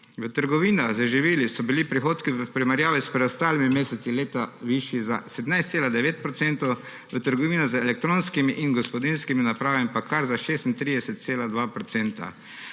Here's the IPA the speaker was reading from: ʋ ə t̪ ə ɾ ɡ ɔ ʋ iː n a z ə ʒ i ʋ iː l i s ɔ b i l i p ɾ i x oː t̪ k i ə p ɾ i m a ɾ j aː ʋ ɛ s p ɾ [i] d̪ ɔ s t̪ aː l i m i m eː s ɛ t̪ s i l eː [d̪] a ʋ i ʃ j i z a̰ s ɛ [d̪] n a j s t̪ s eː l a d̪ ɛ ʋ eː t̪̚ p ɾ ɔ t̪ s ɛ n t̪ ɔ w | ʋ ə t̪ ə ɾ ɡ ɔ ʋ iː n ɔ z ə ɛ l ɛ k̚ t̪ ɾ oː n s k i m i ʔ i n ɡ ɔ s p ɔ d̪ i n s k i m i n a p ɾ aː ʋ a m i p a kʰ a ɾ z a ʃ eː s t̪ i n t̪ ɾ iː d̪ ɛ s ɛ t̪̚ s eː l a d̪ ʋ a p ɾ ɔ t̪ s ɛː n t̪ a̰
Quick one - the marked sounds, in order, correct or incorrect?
incorrect, incorrect, correct

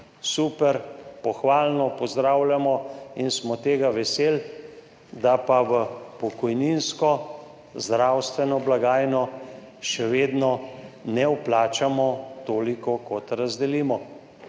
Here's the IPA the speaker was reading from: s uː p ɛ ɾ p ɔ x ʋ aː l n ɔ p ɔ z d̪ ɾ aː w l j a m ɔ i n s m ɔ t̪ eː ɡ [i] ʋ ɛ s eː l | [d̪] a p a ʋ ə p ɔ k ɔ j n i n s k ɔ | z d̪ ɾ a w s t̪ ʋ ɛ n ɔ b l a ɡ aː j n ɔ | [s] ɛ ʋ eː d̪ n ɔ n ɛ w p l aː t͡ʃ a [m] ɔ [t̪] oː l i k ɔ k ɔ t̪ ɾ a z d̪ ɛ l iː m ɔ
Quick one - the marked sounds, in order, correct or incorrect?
incorrect, correct, incorrect, correct, correct

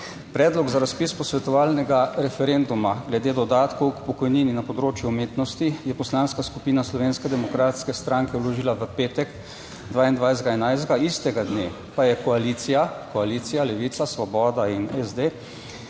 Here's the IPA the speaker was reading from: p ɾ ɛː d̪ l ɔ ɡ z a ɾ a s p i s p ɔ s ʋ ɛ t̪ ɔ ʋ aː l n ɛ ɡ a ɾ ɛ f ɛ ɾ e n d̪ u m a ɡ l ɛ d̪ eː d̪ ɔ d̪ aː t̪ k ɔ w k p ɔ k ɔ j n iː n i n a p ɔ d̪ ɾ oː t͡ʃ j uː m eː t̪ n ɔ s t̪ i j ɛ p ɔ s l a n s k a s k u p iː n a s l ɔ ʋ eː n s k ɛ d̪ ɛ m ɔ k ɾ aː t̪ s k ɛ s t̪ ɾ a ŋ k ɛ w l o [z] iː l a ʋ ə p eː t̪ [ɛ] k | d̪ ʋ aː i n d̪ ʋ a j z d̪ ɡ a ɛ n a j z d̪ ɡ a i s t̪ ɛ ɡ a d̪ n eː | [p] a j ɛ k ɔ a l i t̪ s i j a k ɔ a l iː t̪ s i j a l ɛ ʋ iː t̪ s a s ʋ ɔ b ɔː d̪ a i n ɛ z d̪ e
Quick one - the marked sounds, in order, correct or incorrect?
incorrect, correct, correct

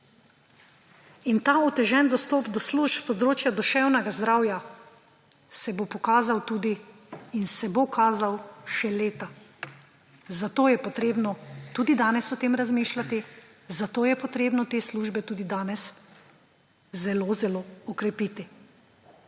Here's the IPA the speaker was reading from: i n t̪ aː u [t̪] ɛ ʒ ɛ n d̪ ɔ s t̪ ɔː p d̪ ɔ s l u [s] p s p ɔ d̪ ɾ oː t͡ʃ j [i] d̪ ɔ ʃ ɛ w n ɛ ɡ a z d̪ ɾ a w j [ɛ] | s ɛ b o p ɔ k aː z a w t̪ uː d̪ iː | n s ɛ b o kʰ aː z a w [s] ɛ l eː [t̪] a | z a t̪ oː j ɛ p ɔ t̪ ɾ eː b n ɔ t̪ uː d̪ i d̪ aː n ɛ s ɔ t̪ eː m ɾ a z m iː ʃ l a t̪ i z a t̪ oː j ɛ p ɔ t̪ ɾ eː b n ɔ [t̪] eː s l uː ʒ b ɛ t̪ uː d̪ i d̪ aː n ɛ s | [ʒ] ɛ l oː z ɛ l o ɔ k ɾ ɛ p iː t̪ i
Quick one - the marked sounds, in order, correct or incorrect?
correct, incorrect, incorrect, incorrect, incorrect, correct, correct, incorrect

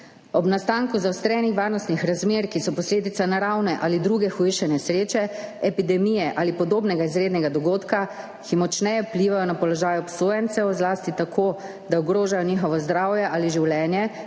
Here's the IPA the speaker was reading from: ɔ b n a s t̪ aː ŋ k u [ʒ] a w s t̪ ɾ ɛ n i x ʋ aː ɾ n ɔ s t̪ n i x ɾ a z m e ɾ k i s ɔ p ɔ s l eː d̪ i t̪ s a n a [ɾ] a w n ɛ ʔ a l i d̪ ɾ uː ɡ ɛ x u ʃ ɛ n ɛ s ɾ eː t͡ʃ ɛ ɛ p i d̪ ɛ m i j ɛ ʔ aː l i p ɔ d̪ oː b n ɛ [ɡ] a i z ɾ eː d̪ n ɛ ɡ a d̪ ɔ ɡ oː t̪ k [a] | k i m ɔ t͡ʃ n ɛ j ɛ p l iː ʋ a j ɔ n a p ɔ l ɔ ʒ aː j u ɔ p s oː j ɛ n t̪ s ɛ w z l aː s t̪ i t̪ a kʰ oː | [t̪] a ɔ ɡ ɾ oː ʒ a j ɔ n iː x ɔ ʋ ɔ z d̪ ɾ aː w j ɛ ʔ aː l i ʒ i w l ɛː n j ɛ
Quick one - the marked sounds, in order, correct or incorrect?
incorrect, correct, correct, correct, incorrect

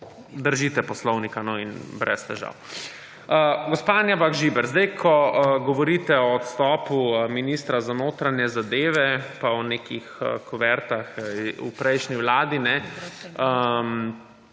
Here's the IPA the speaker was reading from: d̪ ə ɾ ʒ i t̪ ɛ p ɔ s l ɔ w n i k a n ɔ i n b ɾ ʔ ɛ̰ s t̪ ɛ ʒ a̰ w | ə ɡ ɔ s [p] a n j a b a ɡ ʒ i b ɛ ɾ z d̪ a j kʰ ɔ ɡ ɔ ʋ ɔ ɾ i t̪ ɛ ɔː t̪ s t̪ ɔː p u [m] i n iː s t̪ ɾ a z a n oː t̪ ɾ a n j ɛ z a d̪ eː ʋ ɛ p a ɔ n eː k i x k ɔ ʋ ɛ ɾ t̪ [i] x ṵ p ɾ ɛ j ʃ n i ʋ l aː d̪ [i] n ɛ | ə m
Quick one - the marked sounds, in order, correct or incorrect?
correct, correct, incorrect, correct

